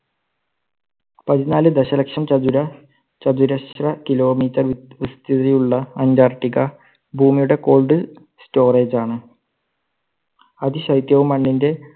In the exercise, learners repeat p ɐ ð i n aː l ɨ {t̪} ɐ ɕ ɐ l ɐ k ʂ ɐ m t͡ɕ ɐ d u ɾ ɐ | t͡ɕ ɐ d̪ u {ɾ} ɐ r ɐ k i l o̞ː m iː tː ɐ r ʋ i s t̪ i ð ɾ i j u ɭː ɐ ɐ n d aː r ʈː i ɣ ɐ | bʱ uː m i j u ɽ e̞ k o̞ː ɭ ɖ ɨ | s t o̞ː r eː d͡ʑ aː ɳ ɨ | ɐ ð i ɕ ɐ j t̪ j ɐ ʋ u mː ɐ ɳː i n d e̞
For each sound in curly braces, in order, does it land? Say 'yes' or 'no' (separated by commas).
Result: no, yes